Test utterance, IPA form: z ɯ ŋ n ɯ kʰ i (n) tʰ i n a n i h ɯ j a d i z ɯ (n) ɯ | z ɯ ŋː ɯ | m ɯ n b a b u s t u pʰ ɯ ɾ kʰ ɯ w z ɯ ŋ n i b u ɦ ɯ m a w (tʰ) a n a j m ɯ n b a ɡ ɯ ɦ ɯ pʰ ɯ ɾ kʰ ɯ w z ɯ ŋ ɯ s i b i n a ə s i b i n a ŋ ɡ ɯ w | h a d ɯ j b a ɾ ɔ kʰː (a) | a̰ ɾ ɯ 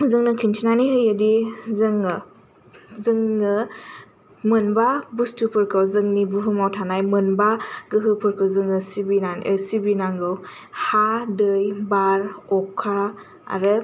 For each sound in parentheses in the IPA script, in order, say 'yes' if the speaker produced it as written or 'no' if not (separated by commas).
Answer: yes, no, yes, yes